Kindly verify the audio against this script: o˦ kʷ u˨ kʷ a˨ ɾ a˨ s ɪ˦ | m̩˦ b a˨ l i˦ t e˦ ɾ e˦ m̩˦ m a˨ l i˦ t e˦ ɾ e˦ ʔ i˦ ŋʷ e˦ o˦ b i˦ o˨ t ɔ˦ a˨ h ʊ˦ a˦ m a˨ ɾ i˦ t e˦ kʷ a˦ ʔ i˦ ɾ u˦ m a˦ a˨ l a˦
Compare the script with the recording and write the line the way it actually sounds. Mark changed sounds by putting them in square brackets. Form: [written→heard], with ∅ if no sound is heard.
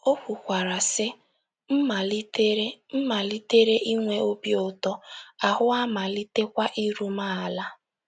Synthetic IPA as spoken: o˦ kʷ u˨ kʷ a˨ ɾ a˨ s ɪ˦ | m̩˦ [b→m] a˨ l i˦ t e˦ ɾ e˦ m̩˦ m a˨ l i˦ t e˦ ɾ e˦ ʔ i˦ ŋʷ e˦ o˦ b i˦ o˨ t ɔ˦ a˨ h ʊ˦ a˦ m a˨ [ɾ→l] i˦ t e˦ kʷ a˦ ʔ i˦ ɾ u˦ m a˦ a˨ l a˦